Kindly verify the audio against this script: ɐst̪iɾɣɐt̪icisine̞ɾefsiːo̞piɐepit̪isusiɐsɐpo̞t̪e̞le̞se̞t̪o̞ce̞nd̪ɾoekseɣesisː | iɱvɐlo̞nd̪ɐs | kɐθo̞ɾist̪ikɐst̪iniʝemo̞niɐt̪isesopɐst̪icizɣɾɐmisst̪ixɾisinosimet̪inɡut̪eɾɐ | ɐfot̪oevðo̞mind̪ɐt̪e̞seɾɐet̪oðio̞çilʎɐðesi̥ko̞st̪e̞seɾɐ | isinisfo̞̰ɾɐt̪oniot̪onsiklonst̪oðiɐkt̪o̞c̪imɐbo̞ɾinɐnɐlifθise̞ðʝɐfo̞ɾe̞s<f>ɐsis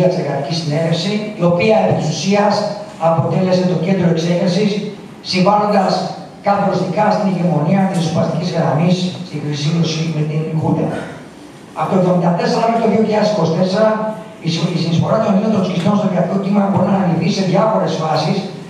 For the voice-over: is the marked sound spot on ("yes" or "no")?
yes